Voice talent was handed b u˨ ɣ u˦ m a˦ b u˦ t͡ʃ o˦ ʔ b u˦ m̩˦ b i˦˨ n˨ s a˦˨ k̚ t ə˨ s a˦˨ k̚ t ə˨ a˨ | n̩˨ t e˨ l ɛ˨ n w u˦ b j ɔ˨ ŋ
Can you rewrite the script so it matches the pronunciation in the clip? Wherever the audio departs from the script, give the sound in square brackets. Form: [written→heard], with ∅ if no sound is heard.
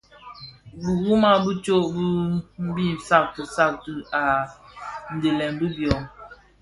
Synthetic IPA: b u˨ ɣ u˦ m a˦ b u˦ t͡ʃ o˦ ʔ b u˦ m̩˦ b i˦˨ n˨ s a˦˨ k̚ t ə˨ s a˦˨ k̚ t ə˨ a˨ | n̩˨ [t→d] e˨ l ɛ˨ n [w→b] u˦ b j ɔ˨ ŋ